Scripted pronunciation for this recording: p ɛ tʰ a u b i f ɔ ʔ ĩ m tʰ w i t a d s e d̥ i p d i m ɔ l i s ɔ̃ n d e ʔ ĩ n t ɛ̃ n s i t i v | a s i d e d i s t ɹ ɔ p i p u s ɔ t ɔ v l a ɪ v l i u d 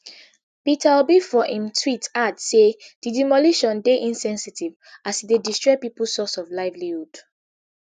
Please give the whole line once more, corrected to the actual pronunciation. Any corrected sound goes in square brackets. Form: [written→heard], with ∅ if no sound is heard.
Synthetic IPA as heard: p [ɛ→i] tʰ a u b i f ɔ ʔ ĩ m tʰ w i t a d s e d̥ i [p→∅] d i m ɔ l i [s→ʃ] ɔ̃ n d e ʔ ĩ n [t→s] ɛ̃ n s i t i v | a s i d e d i s t ɹ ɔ p i p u s ɔ [t→s] ɔ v l a ɪ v l i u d